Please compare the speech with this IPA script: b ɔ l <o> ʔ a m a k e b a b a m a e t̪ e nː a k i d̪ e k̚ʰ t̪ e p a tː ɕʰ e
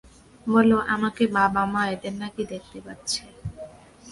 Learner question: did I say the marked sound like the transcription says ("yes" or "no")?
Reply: yes